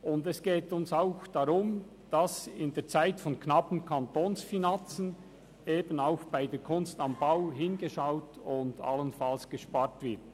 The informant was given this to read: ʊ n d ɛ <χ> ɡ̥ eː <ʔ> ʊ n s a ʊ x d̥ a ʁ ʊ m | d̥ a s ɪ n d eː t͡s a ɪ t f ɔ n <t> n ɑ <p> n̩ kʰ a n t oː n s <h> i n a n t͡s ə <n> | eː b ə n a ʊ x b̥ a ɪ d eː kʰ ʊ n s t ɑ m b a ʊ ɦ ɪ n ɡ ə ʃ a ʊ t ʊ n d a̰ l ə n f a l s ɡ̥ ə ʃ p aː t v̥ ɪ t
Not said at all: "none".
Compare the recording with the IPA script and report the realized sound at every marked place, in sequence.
s, t, k, p, f, n

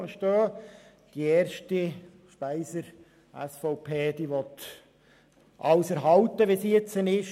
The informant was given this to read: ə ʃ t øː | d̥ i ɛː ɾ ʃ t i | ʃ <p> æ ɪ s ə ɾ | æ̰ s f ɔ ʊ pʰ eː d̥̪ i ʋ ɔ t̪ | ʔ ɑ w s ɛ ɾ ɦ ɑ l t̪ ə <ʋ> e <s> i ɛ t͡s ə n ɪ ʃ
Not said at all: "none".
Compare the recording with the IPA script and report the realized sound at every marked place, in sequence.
p, ʋ, s

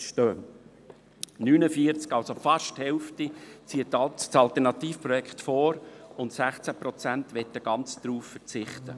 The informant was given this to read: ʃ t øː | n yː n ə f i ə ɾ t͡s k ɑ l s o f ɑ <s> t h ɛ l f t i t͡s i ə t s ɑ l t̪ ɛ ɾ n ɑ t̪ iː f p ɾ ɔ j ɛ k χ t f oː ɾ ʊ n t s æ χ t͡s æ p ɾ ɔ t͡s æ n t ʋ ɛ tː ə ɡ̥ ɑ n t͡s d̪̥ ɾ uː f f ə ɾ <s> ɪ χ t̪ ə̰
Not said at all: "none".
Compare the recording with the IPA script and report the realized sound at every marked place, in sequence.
ʃ, t͡s

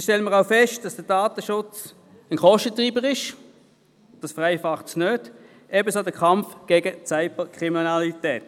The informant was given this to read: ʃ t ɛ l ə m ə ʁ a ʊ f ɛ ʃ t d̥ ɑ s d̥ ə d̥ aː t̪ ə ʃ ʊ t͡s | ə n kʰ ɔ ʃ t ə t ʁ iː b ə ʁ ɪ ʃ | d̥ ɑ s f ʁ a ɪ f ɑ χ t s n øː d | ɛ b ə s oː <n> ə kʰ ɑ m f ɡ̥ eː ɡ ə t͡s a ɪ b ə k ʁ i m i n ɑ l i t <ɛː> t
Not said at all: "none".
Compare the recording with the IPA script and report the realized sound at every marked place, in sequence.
d, ɛː

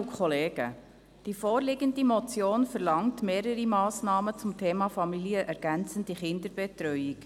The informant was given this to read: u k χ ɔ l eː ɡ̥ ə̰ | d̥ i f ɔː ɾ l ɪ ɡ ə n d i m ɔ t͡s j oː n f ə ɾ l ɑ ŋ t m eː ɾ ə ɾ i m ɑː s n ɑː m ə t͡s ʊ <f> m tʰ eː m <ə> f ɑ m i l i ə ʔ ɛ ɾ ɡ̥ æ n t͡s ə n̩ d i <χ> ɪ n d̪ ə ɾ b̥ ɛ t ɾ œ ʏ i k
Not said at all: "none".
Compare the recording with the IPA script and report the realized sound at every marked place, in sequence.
none, ɑ, χ

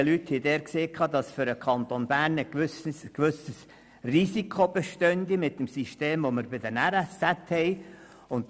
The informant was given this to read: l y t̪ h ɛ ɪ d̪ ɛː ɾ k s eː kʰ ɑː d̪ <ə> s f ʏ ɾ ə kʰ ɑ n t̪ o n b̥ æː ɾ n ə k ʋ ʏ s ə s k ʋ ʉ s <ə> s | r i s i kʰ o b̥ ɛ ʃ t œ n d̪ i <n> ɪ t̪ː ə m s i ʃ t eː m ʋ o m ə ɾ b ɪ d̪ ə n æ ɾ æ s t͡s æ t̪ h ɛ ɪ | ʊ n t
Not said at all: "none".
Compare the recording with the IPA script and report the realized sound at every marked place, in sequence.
ɑ, ə, m

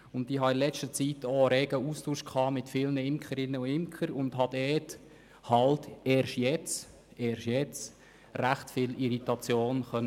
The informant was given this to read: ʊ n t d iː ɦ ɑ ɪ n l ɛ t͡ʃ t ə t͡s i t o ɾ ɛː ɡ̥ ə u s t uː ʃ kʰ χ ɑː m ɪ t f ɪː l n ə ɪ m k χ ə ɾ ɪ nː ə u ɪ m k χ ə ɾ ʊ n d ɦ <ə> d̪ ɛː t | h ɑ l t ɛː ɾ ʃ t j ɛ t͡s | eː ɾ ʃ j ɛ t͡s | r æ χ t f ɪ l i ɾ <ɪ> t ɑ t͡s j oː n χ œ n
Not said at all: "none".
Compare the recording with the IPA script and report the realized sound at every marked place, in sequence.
ɑ, i

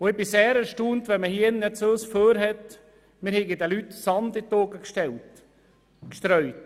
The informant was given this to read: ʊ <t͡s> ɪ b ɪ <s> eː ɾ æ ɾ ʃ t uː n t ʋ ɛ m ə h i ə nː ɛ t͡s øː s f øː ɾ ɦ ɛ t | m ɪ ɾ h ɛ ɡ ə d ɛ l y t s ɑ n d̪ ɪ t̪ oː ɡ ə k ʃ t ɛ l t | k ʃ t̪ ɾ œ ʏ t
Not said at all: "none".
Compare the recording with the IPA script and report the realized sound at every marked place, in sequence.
none, s

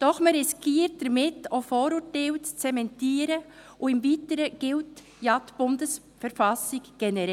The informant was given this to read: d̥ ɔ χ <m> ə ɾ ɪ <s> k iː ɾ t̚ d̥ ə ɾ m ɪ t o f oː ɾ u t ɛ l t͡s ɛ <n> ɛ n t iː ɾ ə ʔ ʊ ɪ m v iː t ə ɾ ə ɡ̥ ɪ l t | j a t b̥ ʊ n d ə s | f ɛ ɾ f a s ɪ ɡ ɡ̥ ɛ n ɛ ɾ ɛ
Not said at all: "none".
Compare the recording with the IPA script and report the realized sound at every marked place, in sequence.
m, s, m

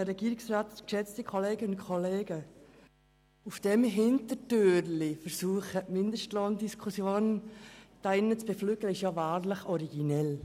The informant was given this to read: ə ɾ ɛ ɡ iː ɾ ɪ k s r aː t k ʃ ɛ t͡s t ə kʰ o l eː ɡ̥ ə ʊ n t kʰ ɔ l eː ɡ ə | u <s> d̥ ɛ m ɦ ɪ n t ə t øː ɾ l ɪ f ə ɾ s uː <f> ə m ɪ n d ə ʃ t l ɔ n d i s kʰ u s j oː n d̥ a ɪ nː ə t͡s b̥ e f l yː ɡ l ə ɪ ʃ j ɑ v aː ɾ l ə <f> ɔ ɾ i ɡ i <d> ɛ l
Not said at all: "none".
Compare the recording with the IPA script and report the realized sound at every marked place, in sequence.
f, χ, χ, n

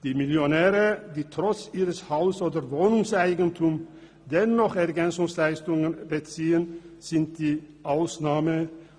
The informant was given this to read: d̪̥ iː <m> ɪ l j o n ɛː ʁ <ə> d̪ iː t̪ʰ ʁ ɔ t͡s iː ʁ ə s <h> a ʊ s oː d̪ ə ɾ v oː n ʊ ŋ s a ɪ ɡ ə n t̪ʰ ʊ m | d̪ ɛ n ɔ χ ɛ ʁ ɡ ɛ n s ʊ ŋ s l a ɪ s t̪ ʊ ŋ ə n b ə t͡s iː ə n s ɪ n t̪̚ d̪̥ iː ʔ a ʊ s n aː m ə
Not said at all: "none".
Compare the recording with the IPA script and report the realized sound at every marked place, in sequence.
m, ə, h

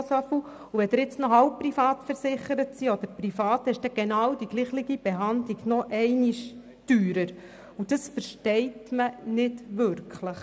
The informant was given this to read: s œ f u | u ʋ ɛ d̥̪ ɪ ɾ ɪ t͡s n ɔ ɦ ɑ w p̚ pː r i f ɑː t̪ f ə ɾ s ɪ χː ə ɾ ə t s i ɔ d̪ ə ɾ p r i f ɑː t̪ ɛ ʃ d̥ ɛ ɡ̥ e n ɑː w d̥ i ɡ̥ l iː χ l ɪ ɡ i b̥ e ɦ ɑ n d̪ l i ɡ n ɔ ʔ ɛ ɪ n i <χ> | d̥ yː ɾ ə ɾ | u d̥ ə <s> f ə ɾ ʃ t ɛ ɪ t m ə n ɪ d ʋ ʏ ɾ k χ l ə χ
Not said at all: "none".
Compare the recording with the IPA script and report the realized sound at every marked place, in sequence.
ʃ, s

